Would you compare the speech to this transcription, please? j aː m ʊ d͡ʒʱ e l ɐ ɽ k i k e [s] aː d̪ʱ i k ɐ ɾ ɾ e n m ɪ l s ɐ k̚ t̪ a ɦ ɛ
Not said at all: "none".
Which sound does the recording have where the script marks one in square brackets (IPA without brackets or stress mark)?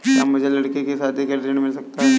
s